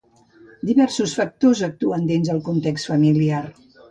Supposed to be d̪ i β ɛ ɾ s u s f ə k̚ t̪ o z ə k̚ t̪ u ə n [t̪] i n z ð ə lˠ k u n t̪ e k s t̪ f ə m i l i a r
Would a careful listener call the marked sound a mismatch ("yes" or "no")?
yes